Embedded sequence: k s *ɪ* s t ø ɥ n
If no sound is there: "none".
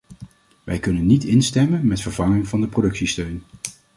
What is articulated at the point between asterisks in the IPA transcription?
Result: i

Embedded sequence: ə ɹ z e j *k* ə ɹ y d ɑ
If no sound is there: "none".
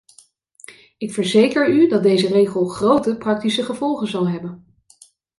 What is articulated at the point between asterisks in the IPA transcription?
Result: k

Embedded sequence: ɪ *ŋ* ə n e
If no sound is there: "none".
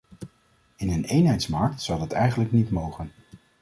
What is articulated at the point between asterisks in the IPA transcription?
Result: n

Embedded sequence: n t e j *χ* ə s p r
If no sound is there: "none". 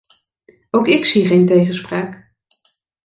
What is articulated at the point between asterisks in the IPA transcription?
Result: χ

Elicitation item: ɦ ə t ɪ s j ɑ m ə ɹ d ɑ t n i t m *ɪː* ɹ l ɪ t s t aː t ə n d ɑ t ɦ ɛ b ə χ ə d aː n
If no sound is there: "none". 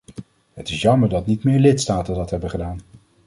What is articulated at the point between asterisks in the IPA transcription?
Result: ɪː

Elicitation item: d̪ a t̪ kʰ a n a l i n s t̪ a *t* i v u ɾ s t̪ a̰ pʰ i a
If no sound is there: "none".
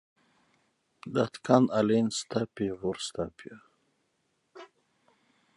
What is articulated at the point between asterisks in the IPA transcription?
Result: p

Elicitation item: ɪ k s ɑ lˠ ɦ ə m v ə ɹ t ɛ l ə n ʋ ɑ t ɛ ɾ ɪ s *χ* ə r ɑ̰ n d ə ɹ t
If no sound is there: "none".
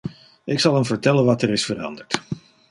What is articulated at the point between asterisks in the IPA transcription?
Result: f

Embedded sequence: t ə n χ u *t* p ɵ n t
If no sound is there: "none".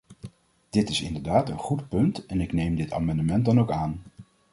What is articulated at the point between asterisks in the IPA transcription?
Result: t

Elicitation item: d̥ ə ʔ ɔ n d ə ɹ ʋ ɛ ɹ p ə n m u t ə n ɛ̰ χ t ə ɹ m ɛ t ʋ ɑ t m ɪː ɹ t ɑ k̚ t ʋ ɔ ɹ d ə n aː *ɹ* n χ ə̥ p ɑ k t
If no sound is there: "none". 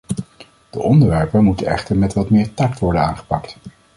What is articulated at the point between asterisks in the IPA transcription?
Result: none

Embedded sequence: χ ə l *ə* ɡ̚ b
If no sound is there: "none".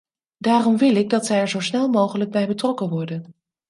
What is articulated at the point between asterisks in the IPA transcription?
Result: ə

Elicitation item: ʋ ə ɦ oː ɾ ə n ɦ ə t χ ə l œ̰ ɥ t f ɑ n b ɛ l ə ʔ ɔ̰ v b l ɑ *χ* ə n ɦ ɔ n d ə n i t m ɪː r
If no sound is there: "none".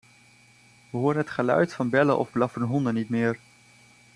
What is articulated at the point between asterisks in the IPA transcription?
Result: f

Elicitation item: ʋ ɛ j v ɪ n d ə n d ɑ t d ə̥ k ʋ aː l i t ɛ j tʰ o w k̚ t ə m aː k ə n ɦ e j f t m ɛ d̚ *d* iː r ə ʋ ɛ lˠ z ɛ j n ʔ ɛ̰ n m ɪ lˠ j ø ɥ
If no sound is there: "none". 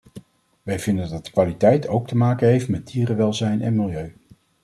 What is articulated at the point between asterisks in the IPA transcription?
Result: d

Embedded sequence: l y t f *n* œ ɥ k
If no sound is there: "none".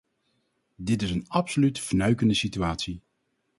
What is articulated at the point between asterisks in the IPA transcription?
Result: n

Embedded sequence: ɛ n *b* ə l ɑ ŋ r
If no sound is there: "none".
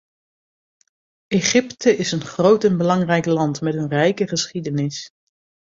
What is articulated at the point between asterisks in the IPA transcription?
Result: b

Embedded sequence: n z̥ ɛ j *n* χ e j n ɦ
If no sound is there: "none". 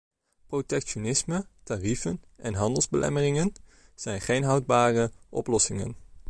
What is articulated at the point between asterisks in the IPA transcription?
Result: n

